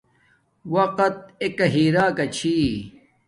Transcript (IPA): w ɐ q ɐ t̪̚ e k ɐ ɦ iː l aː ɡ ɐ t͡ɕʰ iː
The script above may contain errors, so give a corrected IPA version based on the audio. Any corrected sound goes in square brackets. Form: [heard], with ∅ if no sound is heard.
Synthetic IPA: w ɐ q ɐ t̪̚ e k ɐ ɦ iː [ɾ] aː [k] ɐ t͡ɕʰ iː